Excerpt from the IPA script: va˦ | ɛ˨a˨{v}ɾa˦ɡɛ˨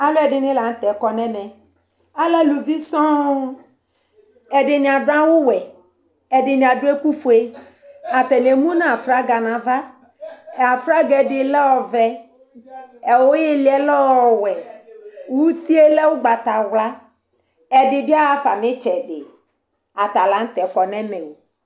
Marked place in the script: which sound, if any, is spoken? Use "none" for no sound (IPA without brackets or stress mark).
f